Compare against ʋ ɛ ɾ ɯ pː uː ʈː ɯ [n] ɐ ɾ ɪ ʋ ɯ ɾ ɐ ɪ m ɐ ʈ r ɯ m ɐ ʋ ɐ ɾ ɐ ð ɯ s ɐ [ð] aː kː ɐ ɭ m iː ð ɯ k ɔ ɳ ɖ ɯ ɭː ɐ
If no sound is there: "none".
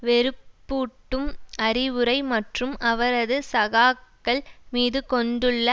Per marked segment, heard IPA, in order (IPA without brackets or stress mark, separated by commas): m, ɣ